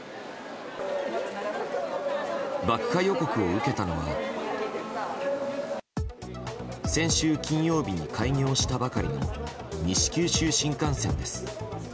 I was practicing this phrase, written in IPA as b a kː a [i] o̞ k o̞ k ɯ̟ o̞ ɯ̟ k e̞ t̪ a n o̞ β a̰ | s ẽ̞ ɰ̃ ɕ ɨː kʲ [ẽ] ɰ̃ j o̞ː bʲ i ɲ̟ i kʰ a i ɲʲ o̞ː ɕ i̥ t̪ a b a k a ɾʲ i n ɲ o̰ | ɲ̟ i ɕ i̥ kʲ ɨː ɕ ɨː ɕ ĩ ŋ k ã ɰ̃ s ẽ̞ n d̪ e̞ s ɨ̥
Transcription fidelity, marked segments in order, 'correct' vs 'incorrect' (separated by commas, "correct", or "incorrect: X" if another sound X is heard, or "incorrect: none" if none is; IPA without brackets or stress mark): incorrect: j, incorrect: ĩ